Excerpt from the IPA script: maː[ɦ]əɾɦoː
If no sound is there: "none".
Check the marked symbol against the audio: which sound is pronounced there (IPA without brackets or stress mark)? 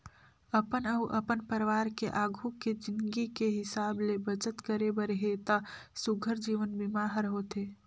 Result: ɦ